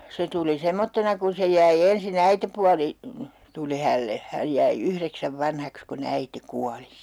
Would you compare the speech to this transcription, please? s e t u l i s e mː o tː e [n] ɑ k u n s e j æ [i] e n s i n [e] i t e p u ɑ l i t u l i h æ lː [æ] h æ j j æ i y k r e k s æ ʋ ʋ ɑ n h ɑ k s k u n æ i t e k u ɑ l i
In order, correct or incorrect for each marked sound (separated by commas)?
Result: correct, correct, incorrect, incorrect